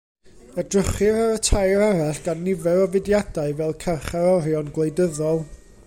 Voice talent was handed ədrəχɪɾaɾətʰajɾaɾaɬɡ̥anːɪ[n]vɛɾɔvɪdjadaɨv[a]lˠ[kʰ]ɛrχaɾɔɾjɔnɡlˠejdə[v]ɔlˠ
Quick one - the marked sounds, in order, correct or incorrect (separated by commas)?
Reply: incorrect, incorrect, correct, incorrect